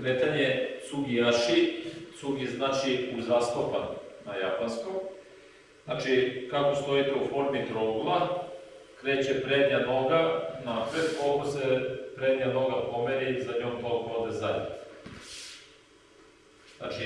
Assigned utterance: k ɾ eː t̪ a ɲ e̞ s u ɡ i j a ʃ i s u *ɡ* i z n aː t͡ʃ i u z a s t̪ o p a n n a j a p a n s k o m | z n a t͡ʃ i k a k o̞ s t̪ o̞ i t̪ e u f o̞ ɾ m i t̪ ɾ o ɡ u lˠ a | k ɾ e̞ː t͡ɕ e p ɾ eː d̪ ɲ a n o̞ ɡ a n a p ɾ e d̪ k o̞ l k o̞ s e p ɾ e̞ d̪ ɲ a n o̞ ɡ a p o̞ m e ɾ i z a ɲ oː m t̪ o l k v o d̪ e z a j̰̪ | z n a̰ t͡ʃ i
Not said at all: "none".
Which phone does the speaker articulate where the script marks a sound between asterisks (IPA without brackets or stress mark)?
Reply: ɡ